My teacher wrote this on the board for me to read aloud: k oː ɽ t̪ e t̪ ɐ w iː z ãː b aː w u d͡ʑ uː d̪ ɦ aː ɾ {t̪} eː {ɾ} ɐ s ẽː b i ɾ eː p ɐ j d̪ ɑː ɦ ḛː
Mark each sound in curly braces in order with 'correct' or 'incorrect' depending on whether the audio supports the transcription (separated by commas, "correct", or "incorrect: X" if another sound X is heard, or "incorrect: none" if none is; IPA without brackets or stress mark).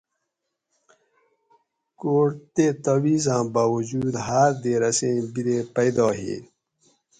incorrect: d̪, correct